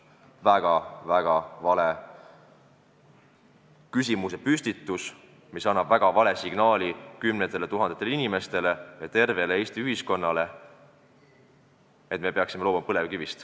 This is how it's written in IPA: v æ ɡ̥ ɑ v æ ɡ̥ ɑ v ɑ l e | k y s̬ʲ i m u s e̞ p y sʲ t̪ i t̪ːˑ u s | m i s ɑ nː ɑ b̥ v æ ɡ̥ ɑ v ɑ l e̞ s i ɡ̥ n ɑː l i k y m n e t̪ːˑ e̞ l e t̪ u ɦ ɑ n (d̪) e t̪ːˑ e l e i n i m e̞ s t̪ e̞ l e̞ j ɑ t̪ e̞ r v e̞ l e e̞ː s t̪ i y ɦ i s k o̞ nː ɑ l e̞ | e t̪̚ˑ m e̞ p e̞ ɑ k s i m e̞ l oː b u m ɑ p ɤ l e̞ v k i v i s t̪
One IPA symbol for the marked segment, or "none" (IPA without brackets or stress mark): d̪